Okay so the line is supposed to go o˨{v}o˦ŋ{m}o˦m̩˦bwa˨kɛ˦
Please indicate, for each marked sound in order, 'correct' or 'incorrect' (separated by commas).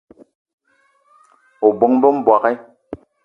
incorrect, incorrect